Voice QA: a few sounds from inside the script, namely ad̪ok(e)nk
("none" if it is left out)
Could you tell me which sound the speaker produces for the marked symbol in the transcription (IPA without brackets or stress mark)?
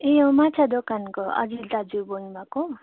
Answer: a